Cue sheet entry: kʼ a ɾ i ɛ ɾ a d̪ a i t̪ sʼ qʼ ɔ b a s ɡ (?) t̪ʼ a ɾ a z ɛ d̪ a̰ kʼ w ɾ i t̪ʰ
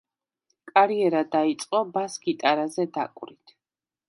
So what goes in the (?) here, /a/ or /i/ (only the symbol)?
i